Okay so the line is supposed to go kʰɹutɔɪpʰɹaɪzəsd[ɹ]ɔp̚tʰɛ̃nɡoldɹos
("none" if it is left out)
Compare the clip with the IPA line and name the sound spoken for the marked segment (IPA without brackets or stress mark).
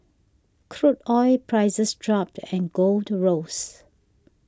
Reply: ɹ